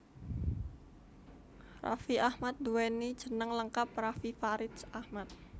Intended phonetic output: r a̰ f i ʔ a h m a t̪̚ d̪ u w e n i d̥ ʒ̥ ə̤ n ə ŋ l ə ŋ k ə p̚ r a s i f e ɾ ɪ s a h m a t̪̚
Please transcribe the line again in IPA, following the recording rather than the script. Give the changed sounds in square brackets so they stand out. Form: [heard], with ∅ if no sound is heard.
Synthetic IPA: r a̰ f i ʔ a h m a t̪̚ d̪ u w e n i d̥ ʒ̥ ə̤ n ə ŋ l ə ŋ k [a] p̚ r a [f] i f [a] ɾ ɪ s a h m a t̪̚